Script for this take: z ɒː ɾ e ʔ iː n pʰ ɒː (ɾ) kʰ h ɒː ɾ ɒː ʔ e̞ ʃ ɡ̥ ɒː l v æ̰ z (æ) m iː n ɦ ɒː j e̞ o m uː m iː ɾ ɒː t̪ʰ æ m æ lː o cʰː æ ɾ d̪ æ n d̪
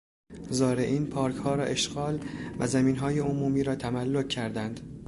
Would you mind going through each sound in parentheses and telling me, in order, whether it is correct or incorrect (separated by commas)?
correct, correct